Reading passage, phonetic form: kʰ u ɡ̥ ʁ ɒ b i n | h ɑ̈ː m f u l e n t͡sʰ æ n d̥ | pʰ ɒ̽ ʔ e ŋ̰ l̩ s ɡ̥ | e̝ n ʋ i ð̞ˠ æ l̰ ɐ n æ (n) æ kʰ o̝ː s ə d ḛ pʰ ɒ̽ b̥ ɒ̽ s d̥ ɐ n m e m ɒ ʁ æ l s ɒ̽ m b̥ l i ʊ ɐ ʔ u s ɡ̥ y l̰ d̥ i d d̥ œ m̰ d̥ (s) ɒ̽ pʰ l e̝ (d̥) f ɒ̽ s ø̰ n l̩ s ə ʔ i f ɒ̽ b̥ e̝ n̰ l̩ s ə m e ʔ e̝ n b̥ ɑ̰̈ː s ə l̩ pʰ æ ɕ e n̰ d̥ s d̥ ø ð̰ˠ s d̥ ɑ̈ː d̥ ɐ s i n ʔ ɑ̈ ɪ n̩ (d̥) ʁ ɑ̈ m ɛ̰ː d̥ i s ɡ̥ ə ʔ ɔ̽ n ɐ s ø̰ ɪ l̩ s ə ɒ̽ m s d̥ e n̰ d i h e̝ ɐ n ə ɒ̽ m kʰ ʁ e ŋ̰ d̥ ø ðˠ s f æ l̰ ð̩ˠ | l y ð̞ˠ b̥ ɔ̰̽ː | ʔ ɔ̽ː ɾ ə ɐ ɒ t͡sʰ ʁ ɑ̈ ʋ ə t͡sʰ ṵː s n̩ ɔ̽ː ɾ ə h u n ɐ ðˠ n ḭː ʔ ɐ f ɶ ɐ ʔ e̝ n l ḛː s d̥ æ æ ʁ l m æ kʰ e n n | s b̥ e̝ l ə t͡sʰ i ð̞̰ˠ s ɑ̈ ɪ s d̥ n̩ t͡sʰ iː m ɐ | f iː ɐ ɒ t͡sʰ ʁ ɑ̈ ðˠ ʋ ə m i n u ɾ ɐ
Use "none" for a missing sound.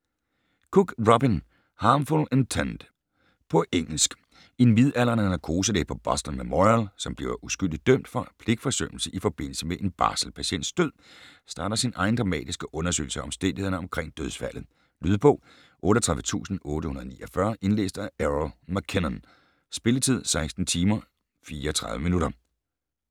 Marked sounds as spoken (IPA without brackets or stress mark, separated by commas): n, f, ɡ̥, d̥